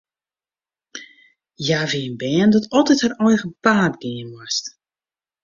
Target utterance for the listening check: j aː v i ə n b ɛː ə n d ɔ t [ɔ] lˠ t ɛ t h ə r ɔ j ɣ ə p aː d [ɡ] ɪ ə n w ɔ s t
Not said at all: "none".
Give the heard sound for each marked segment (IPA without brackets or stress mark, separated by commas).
ɔ, ɡ